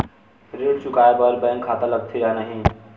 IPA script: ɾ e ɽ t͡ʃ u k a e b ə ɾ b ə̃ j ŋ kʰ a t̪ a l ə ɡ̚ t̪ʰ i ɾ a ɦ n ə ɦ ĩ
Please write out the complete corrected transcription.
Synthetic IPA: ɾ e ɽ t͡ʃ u k a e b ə ɾ b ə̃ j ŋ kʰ a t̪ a l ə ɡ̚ t̪ʰ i ɾ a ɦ n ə ɦ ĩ

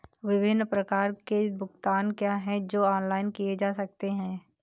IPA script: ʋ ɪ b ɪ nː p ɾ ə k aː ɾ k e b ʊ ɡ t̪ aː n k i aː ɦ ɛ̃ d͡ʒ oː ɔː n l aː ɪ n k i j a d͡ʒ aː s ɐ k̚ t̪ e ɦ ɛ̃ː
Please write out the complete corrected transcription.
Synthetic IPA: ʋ ɪ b ɪ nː p ɾ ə k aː ɾ k e b ʊ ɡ t̪ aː n k j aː ɦ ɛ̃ d͡ʒ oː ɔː n l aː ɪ n k i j e d͡ʒ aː s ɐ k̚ t̪ e ɦ ɛ̃ː

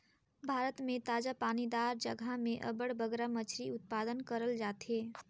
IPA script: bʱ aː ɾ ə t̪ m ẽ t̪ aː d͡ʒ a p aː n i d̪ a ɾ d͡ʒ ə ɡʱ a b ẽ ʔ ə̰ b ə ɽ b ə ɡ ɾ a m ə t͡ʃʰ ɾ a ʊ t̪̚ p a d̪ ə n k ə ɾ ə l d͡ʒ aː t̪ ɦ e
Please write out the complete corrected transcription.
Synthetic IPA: bʱ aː ɾ ə t̪ m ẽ t̪ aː d͡ʒ a p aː n i d̪ a ɾ d͡ʒ ə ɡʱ a m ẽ ʔ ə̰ b ə ɽ b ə ɡ ɾ a m ə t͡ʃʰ ɾ i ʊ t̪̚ p a d̪ ə n k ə ɾ ə l d͡ʒ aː t̪ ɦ e

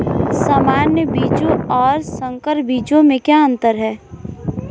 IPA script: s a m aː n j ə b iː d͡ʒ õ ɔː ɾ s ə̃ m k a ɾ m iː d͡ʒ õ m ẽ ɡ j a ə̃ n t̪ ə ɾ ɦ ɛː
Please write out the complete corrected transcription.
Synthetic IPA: s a m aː n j ə b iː d͡ʒ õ ɔː ɾ s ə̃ ŋ k ə ɾ b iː d͡ʒ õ m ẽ k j a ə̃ n t̪ ə ɾ ɦ ɛː

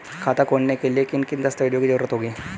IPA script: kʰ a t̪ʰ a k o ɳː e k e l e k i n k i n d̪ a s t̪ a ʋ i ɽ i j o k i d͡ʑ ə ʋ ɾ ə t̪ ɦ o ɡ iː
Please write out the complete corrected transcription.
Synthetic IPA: kʰ a t̪ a k o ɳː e k e l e k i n k i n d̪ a s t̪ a ʋ i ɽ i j o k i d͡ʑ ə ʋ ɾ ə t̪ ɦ o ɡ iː

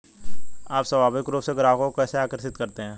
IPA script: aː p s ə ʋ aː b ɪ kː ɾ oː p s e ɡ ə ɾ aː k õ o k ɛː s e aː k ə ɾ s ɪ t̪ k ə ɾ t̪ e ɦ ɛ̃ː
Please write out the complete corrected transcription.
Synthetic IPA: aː p s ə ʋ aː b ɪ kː ɾ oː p s e ɡ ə ɾ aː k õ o k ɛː s e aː k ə ɾ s ɪ t̪ k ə ɾ t̪ e ɦ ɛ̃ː

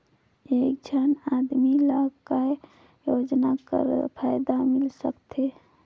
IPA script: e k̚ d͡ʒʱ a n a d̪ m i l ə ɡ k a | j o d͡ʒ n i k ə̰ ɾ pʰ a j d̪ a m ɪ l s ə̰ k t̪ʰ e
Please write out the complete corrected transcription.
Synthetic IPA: e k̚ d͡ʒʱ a n a d̪ m i l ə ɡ k a | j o d͡ʒ n a k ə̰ ɾ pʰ a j d̪ a m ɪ l s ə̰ k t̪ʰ e

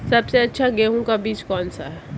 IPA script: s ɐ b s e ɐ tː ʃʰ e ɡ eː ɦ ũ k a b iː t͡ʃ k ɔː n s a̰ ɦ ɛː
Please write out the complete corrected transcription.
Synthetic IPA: s ɐ b s e ɐ tː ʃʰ a ɡ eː ɦ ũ k a b iː t͡ʃ k ɔː n s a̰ ɦ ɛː

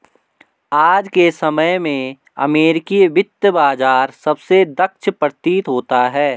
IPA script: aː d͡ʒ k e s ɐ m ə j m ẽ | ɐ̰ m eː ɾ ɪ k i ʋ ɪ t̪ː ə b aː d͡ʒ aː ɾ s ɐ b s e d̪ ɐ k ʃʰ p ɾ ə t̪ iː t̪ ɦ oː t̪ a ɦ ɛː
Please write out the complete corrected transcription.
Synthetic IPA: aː d͡ʒ k e s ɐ m ə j m ẽ | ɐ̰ m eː ɾ ɪ k i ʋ ɪ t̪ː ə b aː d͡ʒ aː ɾ s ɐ b s e d̪ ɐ k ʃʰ p ɾ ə t̪ iː t̪ ɦ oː t̪ a ɦ ɛː

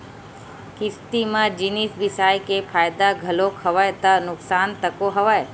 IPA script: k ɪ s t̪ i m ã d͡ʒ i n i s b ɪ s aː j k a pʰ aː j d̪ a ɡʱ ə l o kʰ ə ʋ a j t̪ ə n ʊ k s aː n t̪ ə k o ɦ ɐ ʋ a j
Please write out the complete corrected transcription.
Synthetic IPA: k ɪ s t̪ i m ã d͡ʒ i n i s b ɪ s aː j k e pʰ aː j d̪ a ɡʱ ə l o kʰ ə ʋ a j t̪ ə n ʊ k s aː n t̪ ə k o ɦ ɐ ʋ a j

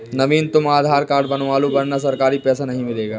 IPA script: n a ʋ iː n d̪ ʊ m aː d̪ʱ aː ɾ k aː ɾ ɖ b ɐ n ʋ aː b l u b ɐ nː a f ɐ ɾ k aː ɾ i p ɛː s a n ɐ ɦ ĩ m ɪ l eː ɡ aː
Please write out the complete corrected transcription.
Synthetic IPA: n ɐ ʋ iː n t̪ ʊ m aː d̪ʱ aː ɾ k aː ɾ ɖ b ɐ n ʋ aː l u b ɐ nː a s ɐ ɾ k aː ɾ i p ɛː s a n ɐ ɦ ĩ m ɪ l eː ɡ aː

